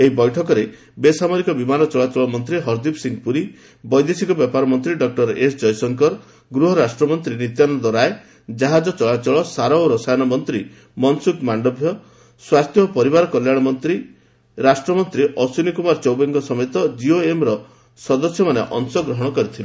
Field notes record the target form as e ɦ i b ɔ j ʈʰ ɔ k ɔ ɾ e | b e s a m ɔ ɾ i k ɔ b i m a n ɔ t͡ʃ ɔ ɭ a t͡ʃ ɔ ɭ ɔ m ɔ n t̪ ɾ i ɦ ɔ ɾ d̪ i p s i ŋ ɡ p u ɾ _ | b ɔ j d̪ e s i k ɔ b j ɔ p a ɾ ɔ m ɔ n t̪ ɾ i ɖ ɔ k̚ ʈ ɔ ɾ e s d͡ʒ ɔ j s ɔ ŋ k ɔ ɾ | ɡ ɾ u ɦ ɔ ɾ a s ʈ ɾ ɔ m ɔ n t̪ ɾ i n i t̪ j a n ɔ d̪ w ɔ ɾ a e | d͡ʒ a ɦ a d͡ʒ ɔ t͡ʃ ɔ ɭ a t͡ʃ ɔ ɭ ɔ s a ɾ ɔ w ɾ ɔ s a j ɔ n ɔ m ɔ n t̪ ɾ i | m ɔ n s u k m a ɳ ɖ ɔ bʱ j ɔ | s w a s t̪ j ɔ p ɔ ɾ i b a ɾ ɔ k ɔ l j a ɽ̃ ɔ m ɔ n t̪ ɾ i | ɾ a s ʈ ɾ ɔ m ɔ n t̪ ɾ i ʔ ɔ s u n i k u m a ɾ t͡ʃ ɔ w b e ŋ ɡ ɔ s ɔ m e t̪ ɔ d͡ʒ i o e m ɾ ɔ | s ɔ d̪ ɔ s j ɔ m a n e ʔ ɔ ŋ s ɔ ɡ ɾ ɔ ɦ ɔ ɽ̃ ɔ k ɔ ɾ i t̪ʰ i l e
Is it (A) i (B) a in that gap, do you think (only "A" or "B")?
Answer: A